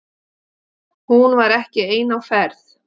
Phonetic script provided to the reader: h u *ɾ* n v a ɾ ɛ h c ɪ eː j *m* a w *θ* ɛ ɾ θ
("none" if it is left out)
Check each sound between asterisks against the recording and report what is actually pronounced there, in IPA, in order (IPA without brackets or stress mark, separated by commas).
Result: none, n, f